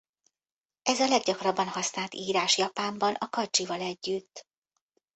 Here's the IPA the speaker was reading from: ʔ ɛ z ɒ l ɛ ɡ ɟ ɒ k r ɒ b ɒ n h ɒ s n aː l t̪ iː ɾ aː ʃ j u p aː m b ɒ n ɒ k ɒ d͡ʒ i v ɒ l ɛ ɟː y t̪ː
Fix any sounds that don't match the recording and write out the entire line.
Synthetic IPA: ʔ ɛ z ɒ l ɛ ɡ ɟ ɒ k r ɒ bː ɒ n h ɒ s n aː l t̪ iː ɾ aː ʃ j ɒ p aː m b ɒ n ɒ k ɒ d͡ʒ i v ɒ l ɛ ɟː y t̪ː